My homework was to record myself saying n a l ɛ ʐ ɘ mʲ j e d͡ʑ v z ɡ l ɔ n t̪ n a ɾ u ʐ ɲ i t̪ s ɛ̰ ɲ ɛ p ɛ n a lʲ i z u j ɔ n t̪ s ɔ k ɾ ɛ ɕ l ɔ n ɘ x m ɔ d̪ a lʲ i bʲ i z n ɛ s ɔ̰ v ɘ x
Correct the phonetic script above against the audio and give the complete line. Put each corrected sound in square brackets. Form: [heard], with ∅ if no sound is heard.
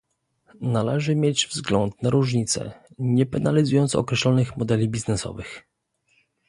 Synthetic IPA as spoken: n a l ɛ ʐ ɘ mʲ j e d͡ʑ v z ɡ l ɔ n t̪ n a ɾ u ʐ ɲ i t̪ s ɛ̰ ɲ ɛ p ɛ n a lʲ i z u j ɔ n t̪ s ɔ k ɾ ɛ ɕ l ɔ n ɘ x m ɔ d̪ [ɛ] lʲ i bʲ i z n ɛ s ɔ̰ v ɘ x